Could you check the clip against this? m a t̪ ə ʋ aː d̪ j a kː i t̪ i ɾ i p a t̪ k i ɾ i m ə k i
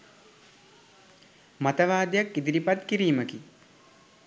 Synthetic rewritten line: m a t̪ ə ʋ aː d̪ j a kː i d̪ i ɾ i p a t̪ k i ɾ iː m ə k i